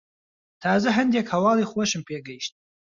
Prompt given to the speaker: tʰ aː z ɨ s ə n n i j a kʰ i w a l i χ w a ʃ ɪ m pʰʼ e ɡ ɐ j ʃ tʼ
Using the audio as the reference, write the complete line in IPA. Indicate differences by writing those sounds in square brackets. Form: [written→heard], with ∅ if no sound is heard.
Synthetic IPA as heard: tʰ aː z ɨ [s→ħ] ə n [n→d] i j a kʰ [i→a] w a l i χ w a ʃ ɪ m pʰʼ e ɡ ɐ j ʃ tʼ